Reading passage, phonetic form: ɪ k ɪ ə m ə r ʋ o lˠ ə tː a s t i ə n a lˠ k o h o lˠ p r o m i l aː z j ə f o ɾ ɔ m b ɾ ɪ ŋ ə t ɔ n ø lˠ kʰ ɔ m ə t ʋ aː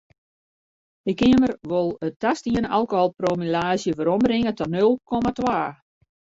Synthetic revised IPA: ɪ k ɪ ə m ə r ʋ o lˠ ə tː a s t i ə n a lˠ k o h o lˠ p r o m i l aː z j ə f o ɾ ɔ m b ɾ ɪ ŋ ə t ɔ n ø lˠ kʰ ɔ m a t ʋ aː